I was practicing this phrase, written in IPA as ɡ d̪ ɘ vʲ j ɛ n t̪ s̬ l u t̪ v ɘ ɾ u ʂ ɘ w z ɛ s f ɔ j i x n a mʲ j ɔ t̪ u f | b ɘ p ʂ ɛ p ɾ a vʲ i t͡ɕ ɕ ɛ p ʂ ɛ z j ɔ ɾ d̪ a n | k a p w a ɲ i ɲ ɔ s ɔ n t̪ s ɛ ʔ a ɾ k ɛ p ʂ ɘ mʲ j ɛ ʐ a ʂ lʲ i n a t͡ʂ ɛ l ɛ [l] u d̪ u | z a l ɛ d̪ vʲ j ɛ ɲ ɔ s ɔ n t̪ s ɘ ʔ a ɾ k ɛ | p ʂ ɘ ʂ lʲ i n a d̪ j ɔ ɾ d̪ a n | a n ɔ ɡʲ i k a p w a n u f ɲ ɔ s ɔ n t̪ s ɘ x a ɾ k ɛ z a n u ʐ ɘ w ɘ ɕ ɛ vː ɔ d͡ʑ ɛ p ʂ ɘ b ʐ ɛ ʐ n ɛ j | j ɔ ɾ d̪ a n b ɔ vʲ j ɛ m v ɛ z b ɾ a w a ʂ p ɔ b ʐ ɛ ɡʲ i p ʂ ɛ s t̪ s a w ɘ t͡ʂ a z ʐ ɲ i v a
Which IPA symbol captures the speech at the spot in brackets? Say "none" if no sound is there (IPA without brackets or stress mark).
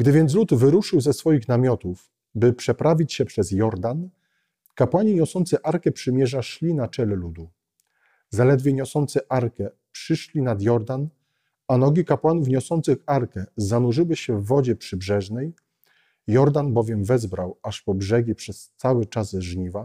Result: l